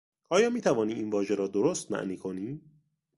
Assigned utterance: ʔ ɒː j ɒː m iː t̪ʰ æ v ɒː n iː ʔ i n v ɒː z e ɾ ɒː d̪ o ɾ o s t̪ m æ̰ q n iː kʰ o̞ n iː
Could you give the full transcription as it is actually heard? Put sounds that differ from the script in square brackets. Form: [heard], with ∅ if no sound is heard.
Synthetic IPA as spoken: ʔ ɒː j ɒː m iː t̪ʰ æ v ɒː n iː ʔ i n v ɒː [ʒ] e ɾ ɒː d̪ o ɾ o s t̪ m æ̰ [ʔ] n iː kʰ o̞ n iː